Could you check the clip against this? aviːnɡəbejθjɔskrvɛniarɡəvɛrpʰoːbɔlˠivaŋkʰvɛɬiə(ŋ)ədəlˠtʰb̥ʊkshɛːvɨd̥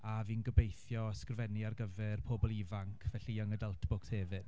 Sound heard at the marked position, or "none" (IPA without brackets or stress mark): ŋ